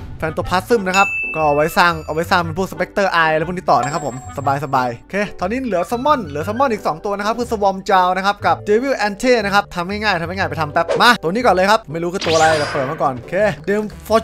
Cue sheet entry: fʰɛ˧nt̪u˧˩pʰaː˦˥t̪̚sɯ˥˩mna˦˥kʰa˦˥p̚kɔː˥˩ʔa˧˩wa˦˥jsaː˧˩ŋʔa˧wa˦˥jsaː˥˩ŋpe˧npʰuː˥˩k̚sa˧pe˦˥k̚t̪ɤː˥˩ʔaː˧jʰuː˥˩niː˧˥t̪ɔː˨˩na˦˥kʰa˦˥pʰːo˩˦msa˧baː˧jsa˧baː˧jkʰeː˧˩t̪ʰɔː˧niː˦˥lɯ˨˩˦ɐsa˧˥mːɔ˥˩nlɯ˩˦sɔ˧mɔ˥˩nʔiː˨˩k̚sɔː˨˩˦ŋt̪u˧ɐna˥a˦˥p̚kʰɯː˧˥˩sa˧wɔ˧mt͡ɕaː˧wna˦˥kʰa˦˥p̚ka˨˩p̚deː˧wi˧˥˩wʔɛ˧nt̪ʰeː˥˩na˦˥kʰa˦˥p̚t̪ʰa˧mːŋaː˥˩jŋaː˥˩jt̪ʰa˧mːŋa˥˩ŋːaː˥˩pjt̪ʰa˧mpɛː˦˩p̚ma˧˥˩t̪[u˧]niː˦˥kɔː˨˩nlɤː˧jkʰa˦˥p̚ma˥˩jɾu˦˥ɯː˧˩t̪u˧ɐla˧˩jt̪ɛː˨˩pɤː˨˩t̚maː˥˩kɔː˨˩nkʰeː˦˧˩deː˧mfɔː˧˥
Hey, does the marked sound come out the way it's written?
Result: yes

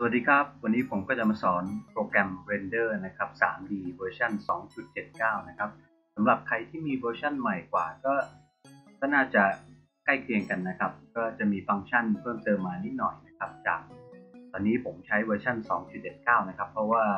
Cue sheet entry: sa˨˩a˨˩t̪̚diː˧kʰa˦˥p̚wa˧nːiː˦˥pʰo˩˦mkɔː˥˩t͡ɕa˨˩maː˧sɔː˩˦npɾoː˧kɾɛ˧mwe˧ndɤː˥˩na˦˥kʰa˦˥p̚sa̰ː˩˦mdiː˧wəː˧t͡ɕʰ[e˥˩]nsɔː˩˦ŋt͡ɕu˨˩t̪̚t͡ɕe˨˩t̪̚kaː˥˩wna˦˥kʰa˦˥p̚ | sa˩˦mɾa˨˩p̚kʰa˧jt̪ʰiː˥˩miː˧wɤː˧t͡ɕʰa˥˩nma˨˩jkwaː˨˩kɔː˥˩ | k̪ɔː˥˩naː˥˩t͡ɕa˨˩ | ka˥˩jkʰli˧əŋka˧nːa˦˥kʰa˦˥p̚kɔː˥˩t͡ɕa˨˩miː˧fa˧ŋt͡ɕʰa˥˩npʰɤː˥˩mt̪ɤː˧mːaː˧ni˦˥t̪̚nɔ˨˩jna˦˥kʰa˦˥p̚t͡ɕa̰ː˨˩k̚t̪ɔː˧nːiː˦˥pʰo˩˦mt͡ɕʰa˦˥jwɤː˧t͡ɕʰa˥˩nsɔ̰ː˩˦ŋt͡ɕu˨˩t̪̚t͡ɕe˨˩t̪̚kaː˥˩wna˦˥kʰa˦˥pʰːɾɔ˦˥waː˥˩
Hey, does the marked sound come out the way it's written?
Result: no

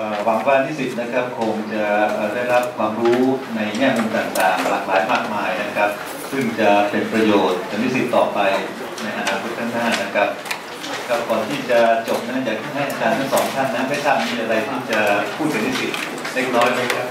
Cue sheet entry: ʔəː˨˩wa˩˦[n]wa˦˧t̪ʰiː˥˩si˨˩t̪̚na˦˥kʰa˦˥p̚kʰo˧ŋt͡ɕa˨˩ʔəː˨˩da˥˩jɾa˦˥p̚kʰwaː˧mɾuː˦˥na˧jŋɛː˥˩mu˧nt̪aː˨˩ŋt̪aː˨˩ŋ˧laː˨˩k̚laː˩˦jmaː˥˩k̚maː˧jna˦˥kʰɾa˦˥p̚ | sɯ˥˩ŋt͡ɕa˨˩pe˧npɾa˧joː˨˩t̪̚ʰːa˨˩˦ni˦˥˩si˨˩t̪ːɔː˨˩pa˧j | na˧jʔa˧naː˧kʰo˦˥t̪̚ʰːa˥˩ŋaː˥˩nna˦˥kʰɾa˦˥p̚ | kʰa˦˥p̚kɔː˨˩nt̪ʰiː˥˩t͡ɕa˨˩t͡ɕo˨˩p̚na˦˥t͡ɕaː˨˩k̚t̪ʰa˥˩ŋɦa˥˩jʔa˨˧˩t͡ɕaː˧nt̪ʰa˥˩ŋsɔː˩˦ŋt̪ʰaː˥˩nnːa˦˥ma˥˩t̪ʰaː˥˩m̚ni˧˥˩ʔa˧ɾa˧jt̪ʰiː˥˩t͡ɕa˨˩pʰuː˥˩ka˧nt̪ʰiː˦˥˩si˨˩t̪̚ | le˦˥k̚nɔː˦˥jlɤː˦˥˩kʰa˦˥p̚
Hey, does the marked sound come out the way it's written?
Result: no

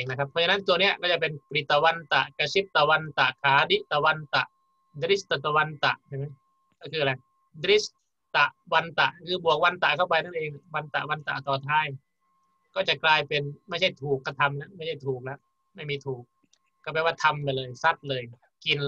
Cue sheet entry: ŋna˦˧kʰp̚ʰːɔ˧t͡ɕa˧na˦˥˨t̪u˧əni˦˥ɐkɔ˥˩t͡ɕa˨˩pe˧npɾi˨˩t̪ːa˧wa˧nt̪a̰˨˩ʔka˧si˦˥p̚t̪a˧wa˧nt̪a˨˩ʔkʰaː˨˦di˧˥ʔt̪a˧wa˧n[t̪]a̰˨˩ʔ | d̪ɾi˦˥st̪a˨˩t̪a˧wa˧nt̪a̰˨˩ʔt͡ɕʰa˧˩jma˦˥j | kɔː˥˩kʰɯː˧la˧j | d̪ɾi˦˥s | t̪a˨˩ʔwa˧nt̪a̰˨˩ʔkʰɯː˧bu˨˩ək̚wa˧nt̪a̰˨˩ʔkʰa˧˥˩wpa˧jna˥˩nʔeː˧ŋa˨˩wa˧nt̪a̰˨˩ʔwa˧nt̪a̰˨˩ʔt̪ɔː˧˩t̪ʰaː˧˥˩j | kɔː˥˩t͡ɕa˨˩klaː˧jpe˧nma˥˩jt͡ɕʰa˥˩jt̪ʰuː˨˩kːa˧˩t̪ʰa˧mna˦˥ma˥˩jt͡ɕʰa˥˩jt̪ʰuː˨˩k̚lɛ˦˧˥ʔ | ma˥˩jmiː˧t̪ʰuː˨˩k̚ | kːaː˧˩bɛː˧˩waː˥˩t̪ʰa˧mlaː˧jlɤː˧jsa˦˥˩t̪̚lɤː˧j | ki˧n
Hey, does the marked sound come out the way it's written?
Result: yes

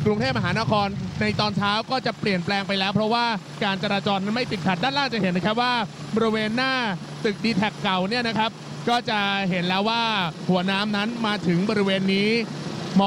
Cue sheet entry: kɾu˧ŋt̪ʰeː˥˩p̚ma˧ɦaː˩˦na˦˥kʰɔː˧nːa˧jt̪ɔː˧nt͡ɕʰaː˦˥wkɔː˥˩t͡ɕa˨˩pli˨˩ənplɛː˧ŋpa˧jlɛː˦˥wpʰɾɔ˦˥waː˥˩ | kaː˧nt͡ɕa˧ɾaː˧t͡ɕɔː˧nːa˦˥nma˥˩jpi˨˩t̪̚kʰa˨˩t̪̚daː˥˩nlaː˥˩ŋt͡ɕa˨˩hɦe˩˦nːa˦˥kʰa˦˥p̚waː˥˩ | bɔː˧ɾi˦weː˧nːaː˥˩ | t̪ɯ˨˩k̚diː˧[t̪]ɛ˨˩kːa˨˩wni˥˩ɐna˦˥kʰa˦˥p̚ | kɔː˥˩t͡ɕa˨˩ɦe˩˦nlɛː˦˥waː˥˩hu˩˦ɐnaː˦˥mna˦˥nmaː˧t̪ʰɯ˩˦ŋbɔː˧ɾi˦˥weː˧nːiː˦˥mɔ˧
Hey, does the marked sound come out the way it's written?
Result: no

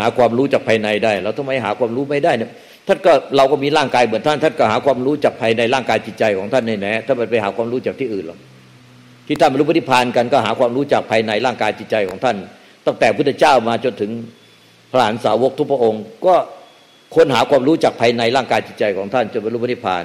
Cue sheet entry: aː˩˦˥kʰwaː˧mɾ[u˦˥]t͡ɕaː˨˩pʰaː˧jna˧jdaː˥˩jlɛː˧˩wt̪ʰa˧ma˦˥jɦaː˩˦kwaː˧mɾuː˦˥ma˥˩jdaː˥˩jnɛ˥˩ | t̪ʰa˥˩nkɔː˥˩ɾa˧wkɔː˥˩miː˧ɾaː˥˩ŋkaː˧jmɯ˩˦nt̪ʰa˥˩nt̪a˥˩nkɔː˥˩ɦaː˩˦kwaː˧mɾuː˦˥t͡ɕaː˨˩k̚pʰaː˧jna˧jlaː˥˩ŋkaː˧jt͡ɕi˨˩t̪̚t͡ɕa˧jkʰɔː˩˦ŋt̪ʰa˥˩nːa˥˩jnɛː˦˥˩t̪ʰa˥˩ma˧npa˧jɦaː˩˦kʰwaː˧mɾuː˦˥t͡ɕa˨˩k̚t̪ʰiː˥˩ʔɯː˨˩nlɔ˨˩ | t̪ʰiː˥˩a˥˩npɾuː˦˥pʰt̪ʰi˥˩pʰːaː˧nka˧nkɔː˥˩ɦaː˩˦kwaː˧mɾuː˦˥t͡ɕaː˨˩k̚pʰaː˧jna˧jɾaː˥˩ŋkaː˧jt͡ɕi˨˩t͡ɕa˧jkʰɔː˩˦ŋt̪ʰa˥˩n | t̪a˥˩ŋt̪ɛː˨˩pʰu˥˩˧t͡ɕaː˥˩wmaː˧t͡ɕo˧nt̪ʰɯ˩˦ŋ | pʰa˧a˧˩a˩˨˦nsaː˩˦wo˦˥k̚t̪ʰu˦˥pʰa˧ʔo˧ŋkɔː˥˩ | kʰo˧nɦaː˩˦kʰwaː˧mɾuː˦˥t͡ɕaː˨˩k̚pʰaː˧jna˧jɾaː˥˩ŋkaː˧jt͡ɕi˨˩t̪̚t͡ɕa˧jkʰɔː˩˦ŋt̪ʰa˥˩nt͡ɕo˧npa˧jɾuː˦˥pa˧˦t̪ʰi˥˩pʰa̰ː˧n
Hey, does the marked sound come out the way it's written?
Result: no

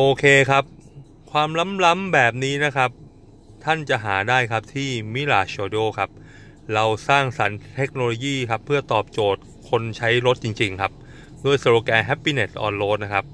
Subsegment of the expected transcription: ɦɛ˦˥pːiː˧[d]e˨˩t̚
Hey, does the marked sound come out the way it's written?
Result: no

